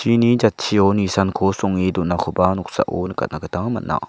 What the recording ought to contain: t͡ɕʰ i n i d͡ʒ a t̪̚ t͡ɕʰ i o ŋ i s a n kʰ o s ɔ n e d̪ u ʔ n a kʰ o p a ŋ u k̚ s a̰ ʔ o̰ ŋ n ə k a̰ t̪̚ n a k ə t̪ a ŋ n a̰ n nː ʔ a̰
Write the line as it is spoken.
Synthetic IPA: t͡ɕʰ i n i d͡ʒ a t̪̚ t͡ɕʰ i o n i s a n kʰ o s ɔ ŋ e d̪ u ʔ n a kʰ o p a n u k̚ s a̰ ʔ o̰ n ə k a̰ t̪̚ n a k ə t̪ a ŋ m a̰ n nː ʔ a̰